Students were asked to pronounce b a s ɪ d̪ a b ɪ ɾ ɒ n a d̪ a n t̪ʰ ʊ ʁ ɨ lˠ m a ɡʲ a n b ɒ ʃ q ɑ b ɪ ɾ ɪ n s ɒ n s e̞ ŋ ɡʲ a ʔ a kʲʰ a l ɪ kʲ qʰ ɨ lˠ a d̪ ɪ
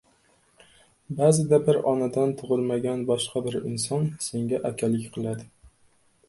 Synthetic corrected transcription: b a z ɪ d̪ a b ɪ ɾ ɒ n a d̪ a n t̪ʰ ʊ ʁ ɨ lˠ m a ɡʲ a n b ɒ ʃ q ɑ b ɪ ɾ ɪ n s ɒ n s e̞ ŋ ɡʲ a ʔ a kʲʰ a l ɪ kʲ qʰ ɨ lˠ a d̪ ɪ